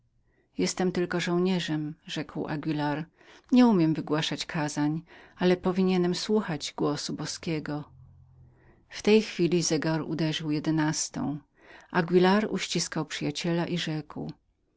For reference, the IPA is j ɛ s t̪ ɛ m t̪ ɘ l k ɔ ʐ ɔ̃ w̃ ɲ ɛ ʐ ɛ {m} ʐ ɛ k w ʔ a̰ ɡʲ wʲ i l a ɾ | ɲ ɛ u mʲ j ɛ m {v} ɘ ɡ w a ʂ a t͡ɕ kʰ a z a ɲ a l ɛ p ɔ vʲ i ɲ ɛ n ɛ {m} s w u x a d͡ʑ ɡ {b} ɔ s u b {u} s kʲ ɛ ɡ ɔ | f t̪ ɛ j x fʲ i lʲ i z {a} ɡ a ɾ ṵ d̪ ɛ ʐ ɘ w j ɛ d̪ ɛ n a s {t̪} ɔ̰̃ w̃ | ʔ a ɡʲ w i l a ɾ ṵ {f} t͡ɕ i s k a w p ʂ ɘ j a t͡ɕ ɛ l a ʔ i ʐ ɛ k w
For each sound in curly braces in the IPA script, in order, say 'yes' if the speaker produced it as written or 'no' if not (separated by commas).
yes, yes, yes, no, no, no, yes, no